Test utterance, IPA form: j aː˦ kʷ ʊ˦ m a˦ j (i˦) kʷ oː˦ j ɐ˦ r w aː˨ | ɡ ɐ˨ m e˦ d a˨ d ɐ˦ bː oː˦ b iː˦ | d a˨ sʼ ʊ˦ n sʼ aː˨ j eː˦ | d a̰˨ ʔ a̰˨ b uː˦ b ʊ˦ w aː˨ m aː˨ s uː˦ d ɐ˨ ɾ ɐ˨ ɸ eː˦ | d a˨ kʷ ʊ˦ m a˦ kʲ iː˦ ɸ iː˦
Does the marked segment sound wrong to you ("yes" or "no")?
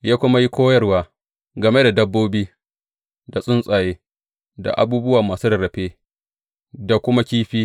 no